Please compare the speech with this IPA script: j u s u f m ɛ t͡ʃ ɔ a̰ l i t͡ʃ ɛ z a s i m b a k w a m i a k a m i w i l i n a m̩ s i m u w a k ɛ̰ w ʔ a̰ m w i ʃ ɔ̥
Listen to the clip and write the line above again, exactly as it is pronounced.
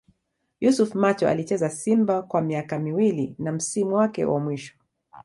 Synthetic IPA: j u s u f m a t͡ʃ ɔ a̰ l i t͡ʃ ɛ z a s i m b a k w a m i a k a m i w i l i n a m̩ s i m u w a k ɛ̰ w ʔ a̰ m w i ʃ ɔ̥